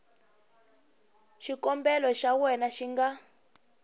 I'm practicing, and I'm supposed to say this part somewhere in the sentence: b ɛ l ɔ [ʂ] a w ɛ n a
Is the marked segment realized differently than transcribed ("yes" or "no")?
yes